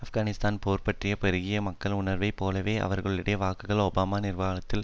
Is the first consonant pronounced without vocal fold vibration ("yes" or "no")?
yes